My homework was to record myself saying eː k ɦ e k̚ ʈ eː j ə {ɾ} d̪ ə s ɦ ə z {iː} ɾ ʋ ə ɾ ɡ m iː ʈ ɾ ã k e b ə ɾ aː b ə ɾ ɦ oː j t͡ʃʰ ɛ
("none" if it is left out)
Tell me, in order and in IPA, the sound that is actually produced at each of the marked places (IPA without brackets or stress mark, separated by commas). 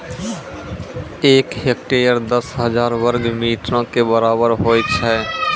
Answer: ɾ, aː